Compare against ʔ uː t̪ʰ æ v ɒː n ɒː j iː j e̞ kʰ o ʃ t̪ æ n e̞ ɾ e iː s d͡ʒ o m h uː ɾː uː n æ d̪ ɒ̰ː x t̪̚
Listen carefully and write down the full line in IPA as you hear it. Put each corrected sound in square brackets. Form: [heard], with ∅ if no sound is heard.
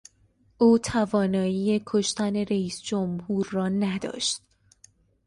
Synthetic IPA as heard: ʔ uː t̪ʰ æ v ɒː n ɒː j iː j e̞ kʰ o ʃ t̪ æ n e̞ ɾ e iː s d͡ʒ o m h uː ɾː [ɒː] n æ d̪ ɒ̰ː [ʃ] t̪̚